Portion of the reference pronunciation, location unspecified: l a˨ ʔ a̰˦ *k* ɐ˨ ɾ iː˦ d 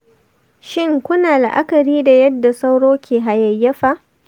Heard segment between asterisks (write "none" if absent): k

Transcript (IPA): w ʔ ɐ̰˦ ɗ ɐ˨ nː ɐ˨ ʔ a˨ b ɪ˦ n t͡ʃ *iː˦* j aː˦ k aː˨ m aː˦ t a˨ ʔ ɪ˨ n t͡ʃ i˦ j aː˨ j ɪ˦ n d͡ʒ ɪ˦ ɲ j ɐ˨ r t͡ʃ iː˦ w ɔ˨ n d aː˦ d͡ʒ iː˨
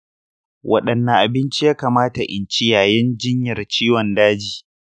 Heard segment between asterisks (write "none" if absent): i˦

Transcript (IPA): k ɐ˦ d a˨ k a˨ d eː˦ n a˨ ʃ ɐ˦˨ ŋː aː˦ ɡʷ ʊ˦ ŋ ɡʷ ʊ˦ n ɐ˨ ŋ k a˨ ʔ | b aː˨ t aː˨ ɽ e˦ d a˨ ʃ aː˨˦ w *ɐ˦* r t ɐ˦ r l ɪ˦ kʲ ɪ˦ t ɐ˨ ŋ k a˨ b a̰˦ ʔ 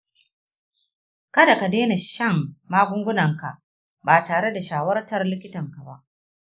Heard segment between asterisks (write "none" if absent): ɐ˦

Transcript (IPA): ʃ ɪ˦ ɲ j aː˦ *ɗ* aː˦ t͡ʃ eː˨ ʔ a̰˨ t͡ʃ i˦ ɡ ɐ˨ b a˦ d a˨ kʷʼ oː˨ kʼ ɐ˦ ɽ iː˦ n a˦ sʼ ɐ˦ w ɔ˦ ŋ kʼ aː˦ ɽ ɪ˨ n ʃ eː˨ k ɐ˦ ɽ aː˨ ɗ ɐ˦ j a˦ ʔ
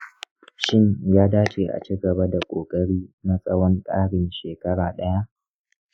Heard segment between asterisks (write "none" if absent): d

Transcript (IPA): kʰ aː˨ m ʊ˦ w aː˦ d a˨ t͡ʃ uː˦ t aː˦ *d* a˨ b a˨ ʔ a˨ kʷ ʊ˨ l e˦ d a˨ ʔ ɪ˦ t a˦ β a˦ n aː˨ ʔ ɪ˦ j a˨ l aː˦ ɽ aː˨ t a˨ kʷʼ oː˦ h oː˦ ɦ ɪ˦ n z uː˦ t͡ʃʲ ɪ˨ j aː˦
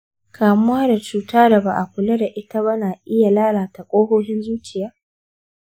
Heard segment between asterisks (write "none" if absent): d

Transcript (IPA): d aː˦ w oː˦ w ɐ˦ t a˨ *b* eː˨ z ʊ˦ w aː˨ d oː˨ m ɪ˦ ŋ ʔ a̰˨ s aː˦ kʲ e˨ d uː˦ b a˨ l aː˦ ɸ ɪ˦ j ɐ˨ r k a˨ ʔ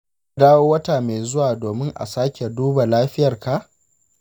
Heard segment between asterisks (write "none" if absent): m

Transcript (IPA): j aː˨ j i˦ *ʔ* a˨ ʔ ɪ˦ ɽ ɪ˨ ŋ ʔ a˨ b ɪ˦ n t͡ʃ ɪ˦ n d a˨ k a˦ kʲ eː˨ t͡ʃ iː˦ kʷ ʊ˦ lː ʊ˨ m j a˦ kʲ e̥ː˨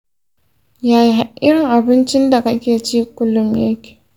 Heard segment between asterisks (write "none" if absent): none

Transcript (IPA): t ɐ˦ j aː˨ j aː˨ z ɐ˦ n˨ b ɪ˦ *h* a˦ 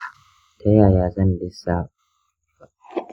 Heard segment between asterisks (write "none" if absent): s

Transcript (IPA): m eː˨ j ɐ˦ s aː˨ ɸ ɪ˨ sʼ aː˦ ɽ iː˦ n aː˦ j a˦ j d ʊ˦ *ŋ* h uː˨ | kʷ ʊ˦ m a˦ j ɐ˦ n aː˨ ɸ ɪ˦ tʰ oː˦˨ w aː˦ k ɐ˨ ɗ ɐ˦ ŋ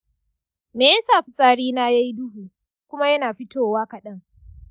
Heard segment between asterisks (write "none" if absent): none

